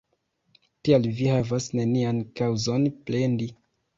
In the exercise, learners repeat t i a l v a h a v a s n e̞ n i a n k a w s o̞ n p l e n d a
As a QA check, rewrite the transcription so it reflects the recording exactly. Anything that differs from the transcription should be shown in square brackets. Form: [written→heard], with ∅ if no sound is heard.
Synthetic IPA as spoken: t i a l v [a→i] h a v a s n e̞ n i a n k a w [s→z] o̞ n p l e n d [a→i]